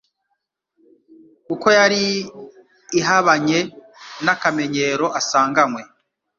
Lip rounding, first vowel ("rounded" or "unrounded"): rounded